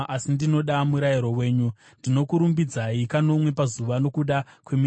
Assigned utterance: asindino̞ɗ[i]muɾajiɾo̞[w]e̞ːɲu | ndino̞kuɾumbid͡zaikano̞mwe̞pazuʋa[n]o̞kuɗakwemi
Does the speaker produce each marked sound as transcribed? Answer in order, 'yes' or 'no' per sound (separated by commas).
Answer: no, yes, yes